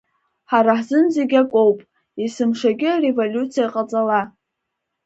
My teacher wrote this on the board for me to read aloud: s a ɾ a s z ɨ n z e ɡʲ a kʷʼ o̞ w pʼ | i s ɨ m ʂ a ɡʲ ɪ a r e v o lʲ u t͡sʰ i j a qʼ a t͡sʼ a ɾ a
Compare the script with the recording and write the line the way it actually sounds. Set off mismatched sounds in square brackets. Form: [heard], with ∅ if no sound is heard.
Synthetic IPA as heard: [ħ] a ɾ a [ħ] z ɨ n z e ɡʲ a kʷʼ o̞ w pʼ | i s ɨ m ʂ a ɡʲ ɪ a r e v o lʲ u t͡sʰ i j a qʼ a t͡sʼ a [l] a